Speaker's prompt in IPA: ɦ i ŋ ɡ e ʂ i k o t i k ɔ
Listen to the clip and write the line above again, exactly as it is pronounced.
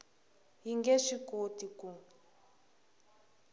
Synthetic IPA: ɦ i ŋ ɡ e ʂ i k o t i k u